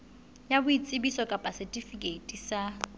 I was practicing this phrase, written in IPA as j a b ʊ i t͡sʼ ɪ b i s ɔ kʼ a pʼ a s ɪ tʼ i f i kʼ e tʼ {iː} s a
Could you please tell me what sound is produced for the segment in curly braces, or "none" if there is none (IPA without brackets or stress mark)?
i